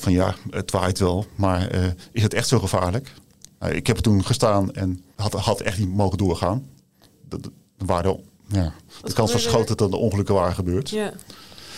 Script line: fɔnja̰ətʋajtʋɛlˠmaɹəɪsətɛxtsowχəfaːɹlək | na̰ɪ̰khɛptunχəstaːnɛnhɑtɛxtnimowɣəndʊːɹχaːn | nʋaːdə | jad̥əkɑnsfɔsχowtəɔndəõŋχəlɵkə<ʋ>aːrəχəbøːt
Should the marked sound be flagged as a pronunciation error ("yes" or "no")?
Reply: no